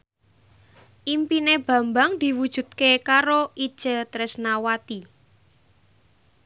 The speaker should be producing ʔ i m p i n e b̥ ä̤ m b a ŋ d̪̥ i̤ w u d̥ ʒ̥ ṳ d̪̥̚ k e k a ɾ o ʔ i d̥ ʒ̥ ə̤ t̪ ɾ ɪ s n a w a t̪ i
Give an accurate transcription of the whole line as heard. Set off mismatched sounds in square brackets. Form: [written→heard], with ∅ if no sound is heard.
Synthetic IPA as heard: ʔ i m p i n e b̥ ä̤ m b a ŋ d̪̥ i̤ w u d̥ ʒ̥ ṳ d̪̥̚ k e k a ɾ o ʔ i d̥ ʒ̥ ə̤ t̪ ɾ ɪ s n a w a t̪ i

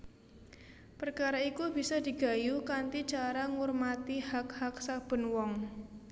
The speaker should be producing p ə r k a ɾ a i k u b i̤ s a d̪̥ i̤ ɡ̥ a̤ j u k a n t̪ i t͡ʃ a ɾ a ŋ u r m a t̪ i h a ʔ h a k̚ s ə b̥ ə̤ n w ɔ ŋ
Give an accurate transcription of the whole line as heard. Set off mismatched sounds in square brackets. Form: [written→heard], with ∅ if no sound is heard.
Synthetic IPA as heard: p ə r k a ɾ a i k u b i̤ s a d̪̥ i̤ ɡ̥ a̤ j u k a n t̪ i t͡ʃ a ɾ a ŋ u r m a t̪ i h a [ʔ→k] h a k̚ s [ə→a] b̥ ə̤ n w ɔ ŋ

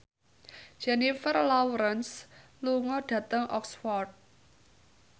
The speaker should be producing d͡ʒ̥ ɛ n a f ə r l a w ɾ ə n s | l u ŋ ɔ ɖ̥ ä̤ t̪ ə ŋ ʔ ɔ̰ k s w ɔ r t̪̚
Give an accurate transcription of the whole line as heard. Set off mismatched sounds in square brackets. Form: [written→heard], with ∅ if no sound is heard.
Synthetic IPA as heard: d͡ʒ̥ ɛ n [a→i] f ə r l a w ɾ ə n s | l u ŋ ɔ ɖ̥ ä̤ t̪ ə ŋ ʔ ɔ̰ k s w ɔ r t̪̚

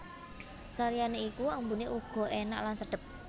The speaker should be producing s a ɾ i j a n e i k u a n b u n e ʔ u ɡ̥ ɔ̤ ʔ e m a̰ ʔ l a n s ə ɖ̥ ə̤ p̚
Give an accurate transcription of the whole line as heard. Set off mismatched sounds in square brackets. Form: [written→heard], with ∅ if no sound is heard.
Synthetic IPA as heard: s a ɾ i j a n e i k u a [n→m] b u n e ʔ u ɡ̥ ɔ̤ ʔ e [m→n] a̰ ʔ l a n s ə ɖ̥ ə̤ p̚

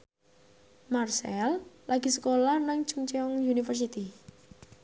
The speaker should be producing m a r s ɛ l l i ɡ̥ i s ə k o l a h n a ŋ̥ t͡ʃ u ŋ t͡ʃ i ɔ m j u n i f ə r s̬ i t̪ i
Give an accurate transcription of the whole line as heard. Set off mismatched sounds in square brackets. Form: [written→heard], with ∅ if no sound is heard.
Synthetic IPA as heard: m a r s ɛ l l [i→a] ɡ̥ i s ə k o l a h n a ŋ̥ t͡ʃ u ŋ t͡ʃ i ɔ [m→ŋ] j u n i f ə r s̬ i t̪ i

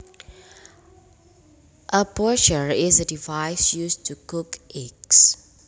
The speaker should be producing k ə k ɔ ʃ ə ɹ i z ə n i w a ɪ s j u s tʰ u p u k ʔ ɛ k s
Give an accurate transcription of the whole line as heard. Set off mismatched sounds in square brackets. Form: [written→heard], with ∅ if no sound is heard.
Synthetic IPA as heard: [k→ʔ] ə [k→p] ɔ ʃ ə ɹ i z ə [n→d] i [w→v] a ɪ s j u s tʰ u [p→k] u k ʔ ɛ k s

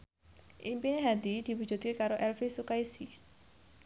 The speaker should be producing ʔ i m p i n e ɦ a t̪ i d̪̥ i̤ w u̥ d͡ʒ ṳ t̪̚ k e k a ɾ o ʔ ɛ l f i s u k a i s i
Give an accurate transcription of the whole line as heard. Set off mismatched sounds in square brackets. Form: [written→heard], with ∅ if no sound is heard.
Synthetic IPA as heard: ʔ i m p i n e ɦ a [t̪→d̪] i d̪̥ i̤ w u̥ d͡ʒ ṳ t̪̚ k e k a ɾ o ʔ ɛ l f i s u k a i s i

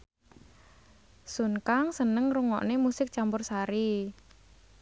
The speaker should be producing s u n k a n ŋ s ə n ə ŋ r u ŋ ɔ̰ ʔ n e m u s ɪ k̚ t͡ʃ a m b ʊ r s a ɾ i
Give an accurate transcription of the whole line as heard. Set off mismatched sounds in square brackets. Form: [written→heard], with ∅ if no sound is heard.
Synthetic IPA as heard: s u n k a [n→∅] ŋ s ə n ə ŋ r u ŋ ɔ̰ ʔ n e m u s ɪ k̚ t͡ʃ a m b ʊ r s a ɾ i

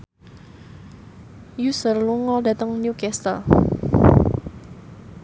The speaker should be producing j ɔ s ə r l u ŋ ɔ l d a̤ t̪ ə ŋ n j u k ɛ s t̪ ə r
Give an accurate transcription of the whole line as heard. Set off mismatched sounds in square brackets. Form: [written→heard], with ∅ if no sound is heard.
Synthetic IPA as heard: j [ɔ→u] s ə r l u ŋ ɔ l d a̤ t̪ ə ŋ n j u k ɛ s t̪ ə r

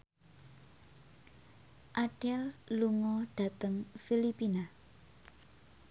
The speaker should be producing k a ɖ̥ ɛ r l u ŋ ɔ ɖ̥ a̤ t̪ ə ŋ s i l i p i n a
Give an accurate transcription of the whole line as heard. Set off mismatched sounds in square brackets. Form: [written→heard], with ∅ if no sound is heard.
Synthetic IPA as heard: [k→ʔ] a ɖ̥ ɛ [r→l] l u ŋ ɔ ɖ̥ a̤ t̪ ə ŋ [s→f] i l i p i n a

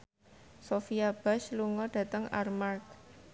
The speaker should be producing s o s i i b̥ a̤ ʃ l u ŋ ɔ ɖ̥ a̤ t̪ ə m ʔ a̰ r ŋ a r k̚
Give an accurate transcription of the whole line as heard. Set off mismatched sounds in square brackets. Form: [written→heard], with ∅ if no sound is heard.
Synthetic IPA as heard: s o [s→f] i [i→a] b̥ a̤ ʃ l u ŋ ɔ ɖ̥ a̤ t̪ ə [m→ŋ] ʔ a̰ r [ŋ→m] a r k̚

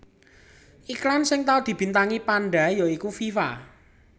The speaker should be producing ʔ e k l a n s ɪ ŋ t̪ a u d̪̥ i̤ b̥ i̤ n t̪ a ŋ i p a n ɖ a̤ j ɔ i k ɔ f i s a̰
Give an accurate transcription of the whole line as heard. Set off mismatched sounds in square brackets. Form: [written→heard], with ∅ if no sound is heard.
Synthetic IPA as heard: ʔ [e→i] k l a n s ɪ ŋ t̪ a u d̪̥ i̤ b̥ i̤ n t̪ a ŋ i p a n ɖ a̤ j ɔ i k [ɔ→u] f i [s→f] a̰

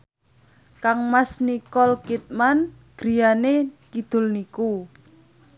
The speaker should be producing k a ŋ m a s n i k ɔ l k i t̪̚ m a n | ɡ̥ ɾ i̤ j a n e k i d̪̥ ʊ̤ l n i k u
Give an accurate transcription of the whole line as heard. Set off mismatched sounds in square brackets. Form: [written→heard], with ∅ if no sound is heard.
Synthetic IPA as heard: k a ŋ m a s n i k ɔ l k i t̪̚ m a n | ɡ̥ ɾ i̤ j a n e k i d̪̥ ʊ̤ l n i k u

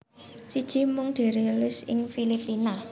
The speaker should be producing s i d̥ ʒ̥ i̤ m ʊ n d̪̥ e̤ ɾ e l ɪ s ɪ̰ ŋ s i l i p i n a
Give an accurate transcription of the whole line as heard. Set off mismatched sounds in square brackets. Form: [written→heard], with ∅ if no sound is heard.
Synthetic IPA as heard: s i d̥ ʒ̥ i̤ m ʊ [n→ŋ] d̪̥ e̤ ɾ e l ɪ s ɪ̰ ŋ [s→f] i l i p i n a

